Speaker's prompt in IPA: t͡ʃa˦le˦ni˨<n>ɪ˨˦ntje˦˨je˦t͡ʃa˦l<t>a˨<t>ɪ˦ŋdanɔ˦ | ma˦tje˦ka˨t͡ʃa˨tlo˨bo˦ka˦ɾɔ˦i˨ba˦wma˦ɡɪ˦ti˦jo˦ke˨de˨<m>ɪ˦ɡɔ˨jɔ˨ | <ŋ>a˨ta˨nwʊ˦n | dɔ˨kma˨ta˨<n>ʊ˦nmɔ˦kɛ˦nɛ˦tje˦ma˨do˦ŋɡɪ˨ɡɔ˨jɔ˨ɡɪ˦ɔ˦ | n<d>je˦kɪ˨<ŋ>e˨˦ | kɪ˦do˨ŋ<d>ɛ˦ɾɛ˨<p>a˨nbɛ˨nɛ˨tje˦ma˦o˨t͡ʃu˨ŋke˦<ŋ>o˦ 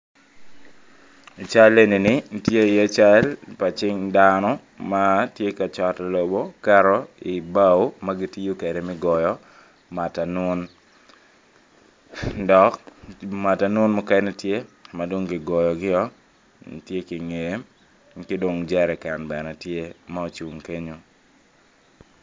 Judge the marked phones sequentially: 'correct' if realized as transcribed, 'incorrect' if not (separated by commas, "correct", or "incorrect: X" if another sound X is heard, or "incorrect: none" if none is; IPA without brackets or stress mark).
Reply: correct, incorrect: p, incorrect: t͡ʃ, correct, incorrect: m, correct, incorrect: t, correct, incorrect: d͡ʒ, incorrect: k, incorrect: ɲ